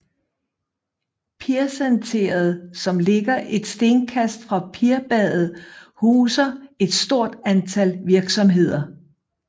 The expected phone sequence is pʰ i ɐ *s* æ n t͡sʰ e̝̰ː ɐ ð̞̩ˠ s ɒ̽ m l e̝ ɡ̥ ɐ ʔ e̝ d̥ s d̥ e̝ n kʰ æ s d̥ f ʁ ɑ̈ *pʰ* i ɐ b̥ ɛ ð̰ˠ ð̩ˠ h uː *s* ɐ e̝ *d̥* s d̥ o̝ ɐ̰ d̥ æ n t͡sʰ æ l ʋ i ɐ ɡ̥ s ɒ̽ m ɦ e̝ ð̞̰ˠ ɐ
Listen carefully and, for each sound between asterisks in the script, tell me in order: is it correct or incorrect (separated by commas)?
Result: correct, correct, correct, correct